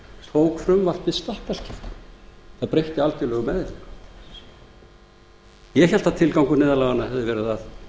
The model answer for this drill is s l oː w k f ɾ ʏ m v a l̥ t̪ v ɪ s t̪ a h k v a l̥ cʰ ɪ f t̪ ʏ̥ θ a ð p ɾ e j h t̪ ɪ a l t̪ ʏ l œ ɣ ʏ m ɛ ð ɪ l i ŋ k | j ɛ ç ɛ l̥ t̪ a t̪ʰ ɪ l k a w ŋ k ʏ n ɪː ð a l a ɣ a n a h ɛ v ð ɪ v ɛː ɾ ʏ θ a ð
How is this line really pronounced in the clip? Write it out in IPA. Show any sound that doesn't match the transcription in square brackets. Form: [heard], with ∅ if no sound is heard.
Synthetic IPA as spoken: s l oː w k f ɾ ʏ m v a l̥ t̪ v ɪ s t̪ a h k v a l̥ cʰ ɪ f t̪ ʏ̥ θ a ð p ɾ e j h t̪ ɪ a l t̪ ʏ l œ ɣ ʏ m ɛ ð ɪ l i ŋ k | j ɛ ç ɛ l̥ t̪ a t̪ʰ ɪ l k a w ŋ k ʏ n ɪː ð a l a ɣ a n a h ɛ v ð ɪ v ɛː ɾ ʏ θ a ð